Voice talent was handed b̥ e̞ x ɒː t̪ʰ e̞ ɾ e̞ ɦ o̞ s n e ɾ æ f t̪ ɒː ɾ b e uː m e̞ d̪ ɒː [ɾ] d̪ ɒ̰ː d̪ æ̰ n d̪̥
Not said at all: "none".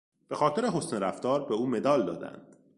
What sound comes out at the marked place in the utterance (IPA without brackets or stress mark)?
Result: l